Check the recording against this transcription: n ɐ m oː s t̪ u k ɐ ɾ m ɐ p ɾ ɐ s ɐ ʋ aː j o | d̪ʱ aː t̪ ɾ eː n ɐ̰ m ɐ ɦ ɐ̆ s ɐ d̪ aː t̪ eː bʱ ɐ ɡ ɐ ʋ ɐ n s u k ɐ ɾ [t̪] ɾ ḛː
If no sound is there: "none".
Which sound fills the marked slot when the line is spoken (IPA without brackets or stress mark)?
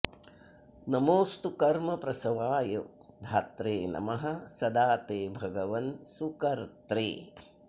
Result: t̪